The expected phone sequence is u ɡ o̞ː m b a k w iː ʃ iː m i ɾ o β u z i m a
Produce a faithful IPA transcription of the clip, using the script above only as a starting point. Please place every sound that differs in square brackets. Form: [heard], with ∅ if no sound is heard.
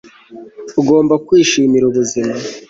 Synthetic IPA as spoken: u ɡ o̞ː m b a k w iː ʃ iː m i ɾ [u] β u z i m a